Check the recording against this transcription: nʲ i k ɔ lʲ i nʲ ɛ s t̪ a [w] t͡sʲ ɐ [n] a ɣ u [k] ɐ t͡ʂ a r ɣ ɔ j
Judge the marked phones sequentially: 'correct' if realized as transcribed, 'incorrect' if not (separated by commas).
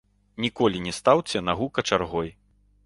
correct, correct, correct